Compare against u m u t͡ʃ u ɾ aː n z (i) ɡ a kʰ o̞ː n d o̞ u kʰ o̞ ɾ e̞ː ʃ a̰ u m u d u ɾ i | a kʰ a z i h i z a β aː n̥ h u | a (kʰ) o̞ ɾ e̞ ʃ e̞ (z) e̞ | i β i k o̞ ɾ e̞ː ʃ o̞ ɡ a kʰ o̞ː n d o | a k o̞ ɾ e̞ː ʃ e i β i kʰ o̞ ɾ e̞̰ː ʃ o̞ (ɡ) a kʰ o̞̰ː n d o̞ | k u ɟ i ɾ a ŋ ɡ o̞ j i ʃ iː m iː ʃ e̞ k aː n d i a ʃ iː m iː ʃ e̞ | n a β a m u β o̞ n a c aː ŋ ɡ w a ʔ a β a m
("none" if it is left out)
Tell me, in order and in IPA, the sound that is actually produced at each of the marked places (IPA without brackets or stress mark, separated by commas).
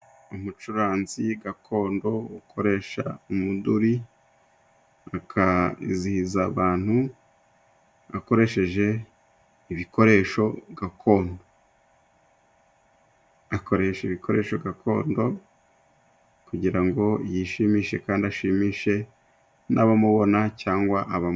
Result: i, k, ʒ, ɡ